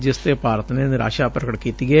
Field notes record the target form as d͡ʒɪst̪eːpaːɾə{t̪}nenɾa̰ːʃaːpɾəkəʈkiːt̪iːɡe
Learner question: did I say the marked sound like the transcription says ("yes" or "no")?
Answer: yes